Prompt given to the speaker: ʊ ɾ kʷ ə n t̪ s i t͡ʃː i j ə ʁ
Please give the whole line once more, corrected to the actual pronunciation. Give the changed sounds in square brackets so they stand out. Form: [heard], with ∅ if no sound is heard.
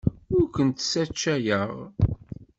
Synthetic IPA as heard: ʊ ɾ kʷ ə n t̪ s [æ] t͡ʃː [æ] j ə ʁ